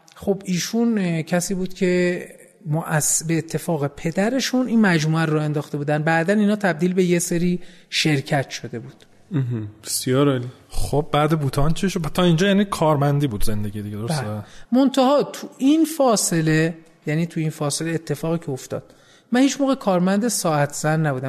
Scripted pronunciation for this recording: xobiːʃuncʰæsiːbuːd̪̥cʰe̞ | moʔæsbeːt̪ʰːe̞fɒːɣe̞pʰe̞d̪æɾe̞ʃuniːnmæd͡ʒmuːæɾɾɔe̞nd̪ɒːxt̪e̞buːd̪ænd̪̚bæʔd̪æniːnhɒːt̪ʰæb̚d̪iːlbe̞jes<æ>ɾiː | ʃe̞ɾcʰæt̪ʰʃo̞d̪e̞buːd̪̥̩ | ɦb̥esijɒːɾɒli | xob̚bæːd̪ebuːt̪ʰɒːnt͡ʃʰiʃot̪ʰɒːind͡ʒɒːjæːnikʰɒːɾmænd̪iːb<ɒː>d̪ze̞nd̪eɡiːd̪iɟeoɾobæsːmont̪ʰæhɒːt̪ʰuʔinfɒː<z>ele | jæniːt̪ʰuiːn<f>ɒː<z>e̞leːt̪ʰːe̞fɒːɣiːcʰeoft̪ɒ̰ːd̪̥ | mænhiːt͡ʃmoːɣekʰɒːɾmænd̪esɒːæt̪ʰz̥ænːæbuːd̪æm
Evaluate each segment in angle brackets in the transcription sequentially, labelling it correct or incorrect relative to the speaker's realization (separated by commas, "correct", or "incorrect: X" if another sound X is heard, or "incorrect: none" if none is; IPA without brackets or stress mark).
incorrect: e, incorrect: uː, incorrect: s, correct, incorrect: s